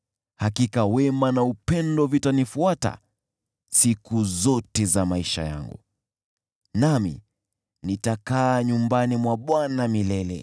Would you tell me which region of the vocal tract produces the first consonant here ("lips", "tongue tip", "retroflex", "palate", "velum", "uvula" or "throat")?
throat